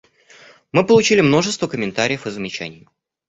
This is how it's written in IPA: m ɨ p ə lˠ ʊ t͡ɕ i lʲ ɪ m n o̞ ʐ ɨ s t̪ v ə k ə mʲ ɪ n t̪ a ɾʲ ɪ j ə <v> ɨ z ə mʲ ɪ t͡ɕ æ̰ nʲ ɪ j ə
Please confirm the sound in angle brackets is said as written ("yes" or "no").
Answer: no